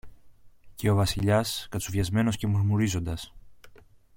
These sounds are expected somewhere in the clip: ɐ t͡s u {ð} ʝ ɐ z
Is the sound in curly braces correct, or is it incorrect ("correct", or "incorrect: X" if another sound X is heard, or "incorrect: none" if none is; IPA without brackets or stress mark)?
incorrect: v